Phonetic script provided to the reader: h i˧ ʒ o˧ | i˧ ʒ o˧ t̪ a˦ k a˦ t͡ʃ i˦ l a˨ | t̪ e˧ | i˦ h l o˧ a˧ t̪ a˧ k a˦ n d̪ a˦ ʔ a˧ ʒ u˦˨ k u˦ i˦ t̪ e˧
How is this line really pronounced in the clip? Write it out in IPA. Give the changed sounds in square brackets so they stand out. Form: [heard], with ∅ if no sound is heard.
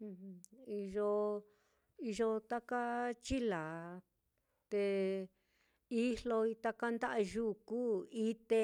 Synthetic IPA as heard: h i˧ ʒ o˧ | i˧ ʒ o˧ t̪ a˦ k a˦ t͡ʃ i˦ l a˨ | t̪ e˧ | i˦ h l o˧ [i˧] t̪ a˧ k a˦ n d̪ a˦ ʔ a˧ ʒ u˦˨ k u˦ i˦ t̪ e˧